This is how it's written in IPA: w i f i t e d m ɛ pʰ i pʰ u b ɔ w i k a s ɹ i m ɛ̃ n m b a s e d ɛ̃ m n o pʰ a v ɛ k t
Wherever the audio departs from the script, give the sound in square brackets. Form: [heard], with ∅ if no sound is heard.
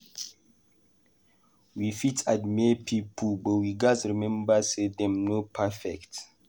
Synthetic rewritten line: w i f i t [a] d m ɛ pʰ i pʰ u b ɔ w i [ɡ] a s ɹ i m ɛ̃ [∅] m b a s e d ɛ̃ m n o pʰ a [f] ɛ k t